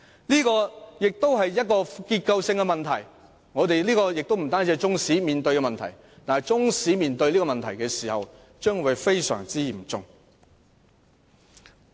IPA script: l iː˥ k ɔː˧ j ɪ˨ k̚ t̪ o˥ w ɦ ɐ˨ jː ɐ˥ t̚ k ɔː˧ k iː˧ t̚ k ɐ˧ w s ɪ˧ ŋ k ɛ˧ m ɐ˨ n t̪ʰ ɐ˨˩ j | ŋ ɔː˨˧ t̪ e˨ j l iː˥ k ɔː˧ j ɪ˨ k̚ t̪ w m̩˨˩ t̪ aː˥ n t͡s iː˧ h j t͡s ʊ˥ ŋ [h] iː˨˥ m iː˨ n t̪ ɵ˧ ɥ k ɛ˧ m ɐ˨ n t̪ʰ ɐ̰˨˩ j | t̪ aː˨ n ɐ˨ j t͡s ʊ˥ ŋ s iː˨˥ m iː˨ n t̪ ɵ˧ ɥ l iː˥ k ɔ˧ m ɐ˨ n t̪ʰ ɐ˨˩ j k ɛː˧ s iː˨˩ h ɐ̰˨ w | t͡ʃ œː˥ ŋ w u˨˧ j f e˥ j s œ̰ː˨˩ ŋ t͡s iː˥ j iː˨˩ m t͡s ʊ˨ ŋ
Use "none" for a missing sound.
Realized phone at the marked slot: s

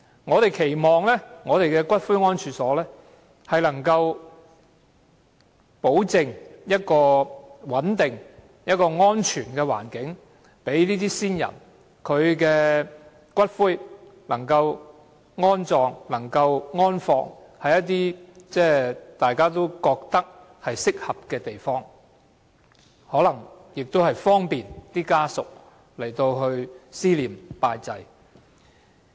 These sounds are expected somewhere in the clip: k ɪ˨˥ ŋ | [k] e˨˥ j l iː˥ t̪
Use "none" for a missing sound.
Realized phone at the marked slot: p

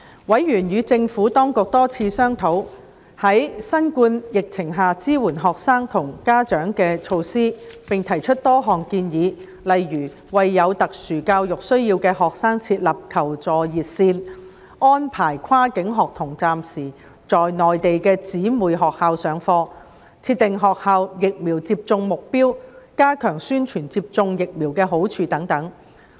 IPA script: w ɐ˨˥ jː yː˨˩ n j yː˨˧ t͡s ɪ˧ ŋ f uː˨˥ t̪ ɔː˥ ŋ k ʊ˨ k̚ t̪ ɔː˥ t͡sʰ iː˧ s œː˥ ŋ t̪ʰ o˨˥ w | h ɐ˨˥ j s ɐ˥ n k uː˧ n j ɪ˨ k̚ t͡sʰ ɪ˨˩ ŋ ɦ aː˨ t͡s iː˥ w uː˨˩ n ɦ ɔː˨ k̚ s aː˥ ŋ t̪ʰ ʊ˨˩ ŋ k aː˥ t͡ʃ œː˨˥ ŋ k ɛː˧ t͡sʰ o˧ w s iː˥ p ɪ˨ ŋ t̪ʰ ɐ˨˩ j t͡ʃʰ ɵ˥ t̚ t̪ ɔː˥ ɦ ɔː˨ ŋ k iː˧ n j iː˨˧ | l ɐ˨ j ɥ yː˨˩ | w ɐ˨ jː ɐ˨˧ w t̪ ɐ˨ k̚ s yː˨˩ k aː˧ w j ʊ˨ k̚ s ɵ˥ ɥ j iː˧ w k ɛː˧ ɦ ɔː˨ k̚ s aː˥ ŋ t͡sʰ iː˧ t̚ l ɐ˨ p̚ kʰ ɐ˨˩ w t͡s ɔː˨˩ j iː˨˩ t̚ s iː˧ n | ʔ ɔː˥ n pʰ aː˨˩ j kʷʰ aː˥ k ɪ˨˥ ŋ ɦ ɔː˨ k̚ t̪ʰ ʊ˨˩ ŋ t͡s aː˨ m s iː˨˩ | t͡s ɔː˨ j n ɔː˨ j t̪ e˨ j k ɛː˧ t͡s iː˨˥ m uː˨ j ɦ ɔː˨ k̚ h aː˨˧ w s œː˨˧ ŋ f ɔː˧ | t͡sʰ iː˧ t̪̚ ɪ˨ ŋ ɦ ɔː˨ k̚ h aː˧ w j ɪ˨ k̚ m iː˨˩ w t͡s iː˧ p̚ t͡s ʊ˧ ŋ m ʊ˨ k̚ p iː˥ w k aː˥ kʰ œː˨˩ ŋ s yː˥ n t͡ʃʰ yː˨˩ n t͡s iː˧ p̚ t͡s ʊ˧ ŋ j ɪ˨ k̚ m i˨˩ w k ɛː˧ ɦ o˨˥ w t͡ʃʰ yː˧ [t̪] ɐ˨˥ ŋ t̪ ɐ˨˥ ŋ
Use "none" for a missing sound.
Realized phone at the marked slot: t̪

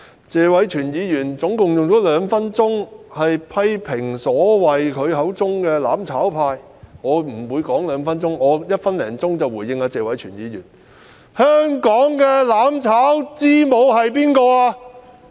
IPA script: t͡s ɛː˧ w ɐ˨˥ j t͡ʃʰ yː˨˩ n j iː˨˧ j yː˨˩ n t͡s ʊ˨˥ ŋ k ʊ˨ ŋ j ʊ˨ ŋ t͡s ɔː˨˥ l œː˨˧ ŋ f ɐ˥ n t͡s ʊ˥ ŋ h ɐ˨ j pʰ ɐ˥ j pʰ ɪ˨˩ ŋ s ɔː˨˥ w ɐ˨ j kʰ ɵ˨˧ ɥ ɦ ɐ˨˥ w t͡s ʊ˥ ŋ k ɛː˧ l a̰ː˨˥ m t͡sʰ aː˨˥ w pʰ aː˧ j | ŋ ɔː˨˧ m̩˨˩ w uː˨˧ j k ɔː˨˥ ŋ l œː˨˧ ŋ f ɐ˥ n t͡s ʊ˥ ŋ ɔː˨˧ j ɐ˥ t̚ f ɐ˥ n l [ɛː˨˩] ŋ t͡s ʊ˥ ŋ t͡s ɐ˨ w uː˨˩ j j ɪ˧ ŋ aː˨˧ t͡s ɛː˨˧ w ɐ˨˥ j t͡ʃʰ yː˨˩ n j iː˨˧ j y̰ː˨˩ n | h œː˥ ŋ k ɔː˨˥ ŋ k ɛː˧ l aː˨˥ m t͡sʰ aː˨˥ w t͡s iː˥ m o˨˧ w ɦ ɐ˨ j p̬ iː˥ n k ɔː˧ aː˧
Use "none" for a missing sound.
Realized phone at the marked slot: ɛː˨˩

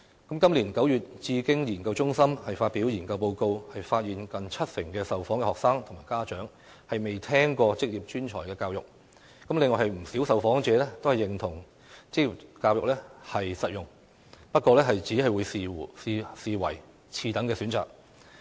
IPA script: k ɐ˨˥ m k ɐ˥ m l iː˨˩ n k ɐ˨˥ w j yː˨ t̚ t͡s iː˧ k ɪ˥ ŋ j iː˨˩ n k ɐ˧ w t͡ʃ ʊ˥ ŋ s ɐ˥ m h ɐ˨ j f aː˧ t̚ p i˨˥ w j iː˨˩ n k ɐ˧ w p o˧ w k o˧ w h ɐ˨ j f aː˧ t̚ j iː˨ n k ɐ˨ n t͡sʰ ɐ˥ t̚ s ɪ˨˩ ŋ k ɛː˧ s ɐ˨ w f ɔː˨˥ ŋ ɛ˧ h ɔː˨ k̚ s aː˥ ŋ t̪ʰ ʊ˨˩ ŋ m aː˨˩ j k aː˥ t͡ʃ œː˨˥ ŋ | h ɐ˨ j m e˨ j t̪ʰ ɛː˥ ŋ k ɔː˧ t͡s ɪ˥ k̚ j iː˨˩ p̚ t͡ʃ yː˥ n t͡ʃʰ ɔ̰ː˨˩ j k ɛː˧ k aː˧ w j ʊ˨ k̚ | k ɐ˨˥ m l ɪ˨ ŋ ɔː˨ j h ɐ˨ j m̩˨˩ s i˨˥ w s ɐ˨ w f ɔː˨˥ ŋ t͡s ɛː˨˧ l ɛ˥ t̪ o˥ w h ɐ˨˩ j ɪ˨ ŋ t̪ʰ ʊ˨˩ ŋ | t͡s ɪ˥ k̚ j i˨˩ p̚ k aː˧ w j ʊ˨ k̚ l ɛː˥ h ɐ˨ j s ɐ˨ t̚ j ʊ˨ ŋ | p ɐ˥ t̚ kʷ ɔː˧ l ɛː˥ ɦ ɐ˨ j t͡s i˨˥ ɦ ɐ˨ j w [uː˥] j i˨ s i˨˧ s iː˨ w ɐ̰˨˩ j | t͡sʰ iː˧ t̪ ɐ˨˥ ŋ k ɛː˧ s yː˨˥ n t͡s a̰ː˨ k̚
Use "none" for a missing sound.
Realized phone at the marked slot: uː˨˧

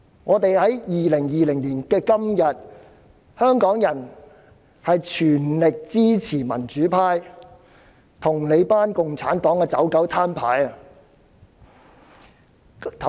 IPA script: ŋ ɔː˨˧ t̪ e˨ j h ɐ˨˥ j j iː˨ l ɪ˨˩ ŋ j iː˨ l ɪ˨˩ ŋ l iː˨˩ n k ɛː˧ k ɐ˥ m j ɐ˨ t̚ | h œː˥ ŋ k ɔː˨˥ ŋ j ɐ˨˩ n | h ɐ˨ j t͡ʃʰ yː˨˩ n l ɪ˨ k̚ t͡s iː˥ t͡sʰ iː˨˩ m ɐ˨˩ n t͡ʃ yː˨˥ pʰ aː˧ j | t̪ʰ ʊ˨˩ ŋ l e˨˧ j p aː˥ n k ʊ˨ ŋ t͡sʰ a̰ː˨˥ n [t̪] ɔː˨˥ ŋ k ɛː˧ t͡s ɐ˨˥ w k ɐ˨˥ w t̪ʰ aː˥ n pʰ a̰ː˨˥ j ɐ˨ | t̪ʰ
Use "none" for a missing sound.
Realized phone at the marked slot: t̪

